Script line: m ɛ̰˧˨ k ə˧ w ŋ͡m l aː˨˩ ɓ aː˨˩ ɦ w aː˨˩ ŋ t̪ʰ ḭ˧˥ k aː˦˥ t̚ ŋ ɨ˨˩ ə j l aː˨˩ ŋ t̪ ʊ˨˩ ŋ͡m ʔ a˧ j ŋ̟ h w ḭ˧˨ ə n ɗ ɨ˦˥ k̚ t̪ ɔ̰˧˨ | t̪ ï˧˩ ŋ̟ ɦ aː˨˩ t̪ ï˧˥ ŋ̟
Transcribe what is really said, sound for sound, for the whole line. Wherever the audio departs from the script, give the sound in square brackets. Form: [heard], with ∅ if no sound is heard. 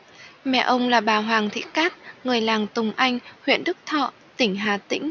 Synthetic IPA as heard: m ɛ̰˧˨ [ʔ] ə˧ w ŋ͡m l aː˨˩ ɓ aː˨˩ ɦ w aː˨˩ ŋ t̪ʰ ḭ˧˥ k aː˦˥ t̚ ŋ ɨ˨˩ ə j l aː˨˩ ŋ t̪ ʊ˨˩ ŋ͡m ʔ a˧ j ŋ̟ h w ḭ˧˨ ə n ɗ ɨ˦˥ k̚ [t̪ʰ] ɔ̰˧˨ | t̪ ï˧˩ ŋ̟ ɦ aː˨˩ t̪ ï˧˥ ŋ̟